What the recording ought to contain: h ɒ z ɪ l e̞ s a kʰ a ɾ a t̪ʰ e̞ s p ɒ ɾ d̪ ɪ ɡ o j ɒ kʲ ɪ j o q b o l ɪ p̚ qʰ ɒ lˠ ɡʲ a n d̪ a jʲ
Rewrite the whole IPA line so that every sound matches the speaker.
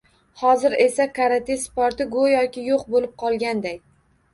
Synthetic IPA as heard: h ɒ z ɪ ɾ e̞ s a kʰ a ɾ a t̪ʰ e̞ s p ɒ ɾ t̪ ɪ ɡ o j ɒ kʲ ɪ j o q b o l ɪ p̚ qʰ ɒ lˠ ɡʲ a n d̪ a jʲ